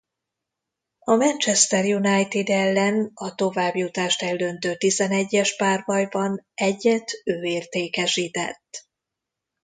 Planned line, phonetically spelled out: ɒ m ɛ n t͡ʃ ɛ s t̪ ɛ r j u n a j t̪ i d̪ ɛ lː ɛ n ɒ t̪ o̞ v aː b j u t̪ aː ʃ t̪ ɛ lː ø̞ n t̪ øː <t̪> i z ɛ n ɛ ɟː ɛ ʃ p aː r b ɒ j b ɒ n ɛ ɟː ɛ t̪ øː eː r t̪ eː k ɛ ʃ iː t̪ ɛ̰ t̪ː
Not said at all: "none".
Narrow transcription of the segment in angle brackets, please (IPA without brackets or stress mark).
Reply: t̪